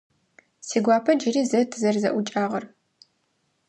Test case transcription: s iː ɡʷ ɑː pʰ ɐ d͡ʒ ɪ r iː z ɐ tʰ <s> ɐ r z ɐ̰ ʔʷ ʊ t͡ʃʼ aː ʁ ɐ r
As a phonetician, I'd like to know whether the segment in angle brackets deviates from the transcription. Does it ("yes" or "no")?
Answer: yes